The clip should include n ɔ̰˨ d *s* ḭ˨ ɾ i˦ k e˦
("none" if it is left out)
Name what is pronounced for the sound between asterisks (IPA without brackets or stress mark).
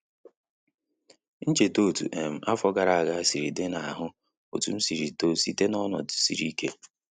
s